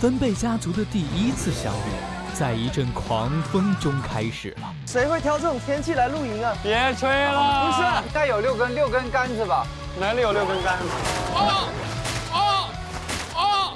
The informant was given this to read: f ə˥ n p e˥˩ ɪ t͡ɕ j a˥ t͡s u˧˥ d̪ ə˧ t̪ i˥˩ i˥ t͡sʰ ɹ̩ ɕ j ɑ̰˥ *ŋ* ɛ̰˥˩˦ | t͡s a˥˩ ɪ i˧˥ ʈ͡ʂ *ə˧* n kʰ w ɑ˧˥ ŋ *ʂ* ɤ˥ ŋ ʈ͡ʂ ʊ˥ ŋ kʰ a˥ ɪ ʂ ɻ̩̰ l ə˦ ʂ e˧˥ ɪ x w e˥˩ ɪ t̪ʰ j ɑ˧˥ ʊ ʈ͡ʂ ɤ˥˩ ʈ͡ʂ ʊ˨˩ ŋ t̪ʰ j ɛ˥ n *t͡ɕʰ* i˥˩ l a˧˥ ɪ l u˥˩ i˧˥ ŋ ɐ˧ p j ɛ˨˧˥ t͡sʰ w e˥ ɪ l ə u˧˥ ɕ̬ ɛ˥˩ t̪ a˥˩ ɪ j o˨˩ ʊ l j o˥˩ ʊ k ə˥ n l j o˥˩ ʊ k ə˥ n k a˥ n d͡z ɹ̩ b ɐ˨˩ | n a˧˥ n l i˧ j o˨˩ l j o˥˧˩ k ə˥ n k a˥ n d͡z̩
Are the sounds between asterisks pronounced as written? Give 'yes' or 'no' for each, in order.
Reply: yes, no, no, yes

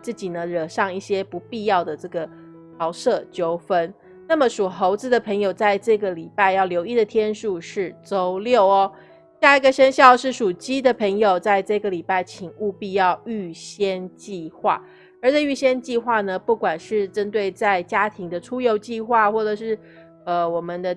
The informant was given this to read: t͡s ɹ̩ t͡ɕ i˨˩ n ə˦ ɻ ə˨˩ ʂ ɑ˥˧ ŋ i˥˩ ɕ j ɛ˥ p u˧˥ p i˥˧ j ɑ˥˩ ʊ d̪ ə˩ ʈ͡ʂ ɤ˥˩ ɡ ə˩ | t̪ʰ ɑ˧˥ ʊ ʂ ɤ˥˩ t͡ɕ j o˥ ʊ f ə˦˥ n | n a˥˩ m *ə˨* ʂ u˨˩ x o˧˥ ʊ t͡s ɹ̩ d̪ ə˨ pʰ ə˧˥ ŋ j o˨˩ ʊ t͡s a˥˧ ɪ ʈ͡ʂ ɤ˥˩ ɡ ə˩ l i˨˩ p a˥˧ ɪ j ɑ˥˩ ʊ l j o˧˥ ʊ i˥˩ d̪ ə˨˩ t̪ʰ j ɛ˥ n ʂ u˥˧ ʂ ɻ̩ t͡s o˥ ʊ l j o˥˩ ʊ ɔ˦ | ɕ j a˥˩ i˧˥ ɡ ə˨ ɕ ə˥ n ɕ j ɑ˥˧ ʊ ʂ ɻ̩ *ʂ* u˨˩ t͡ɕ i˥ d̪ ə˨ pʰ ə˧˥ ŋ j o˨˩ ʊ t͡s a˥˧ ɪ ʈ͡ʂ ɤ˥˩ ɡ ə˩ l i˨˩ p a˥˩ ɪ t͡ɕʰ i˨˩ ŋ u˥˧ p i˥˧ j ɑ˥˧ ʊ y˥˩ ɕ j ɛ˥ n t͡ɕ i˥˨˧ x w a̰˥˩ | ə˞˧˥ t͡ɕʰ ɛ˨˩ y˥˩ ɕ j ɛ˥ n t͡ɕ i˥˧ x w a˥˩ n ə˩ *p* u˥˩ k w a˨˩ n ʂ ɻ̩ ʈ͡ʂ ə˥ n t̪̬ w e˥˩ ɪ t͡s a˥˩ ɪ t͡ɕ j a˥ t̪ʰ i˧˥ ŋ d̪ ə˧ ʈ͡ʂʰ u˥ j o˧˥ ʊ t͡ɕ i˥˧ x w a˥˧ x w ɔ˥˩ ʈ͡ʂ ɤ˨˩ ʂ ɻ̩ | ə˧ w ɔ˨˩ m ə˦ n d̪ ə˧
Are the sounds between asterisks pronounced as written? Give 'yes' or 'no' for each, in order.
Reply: yes, yes, yes

